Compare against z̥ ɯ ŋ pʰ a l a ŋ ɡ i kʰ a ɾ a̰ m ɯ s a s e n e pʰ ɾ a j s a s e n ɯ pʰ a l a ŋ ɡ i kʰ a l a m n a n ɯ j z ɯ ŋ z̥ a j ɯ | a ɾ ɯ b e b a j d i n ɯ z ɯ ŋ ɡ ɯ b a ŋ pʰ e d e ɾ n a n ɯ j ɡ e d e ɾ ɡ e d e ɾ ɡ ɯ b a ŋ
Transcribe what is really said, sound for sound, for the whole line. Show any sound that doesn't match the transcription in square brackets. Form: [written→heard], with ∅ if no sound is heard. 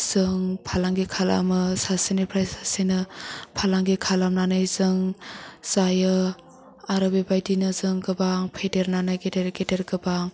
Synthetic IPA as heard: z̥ ɯ ŋ pʰ a l a ŋ ɡ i kʰ a [ɾ→l] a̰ m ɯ s a s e n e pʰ ɾ a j s a s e n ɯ pʰ a l a ŋ ɡ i kʰ a l a m n a n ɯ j z ɯ ŋ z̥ a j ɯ | a ɾ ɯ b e b a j d i n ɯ z ɯ ŋ ɡ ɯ b a ŋ pʰ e d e ɾ n a n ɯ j ɡ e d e ɾ ɡ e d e ɾ ɡ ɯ b a ŋ